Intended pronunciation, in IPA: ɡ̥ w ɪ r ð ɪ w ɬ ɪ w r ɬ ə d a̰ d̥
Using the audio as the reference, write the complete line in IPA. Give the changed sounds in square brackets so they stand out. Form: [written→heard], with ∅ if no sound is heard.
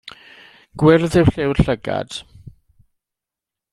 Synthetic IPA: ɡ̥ w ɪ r ð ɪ w ɬ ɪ w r ɬ ə [d→ɡ] a̰ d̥